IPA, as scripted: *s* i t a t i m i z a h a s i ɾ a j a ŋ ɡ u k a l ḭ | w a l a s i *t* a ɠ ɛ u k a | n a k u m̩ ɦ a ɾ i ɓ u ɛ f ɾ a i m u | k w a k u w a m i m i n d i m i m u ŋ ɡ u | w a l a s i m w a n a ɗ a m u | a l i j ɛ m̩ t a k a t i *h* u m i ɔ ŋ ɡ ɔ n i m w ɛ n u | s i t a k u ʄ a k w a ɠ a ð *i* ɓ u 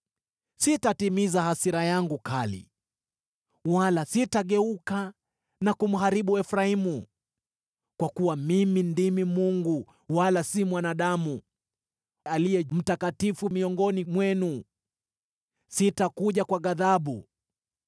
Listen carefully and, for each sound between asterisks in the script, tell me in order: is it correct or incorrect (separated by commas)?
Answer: correct, correct, incorrect, incorrect